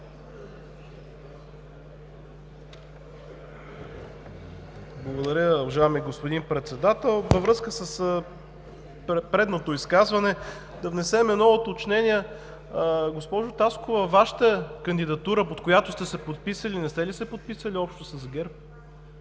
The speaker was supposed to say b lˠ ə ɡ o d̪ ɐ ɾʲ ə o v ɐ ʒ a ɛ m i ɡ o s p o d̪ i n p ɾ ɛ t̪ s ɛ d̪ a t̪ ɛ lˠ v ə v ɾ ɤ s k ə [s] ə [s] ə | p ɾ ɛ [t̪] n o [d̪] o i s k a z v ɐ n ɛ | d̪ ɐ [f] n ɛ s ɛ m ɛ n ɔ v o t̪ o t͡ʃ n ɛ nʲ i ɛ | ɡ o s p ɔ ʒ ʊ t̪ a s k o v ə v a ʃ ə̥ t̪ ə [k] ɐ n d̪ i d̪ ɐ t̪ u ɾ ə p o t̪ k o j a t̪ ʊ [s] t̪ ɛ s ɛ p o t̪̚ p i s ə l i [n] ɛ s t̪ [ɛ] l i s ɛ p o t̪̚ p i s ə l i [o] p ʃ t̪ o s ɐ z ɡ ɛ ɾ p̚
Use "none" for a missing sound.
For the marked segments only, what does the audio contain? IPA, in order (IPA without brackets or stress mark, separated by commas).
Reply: s, s, d̪, t̪, v, k, s, n, ɛ, ɔ